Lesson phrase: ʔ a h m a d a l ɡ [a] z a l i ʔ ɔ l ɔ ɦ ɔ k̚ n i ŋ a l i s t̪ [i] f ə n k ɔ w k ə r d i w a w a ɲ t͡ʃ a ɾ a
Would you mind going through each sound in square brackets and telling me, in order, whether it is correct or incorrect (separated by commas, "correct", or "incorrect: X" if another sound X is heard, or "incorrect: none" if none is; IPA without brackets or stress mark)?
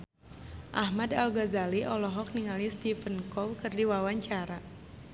correct, correct